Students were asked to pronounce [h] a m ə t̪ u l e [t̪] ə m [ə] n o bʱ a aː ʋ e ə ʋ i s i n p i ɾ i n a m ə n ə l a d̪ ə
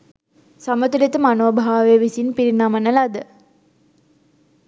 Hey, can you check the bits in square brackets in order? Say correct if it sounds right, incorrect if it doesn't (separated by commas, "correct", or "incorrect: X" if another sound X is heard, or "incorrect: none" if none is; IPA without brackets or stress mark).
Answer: incorrect: s, correct, incorrect: a